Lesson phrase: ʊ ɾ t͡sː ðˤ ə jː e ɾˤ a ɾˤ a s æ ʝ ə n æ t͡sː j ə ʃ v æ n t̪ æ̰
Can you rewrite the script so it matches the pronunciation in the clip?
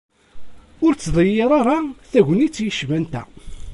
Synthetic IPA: ʊ ɾ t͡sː ðˤ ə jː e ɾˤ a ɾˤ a θ æ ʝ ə n i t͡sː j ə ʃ v æ n t̪ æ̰